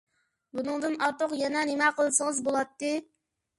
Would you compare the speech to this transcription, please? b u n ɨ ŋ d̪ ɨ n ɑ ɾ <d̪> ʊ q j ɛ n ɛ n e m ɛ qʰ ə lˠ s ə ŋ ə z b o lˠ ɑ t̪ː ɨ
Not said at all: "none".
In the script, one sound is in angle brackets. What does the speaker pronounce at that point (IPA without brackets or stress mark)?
t̪